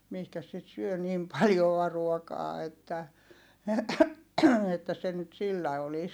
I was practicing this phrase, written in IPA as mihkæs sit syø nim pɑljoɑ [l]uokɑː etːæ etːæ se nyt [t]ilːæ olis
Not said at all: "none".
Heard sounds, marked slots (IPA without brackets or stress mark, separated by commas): r, s